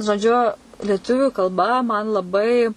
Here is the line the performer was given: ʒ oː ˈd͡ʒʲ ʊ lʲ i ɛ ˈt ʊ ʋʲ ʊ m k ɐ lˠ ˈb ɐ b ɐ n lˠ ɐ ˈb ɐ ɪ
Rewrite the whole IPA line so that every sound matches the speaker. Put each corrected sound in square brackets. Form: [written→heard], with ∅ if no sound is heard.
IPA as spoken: ʒ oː ˈd͡ʒʲ ʊ lʲ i ɛ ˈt ʊ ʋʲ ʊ [m→∅] k ɐ lˠ ˈb ɐ [b→m] ɐ n lˠ ɐ ˈb ɐ ɪ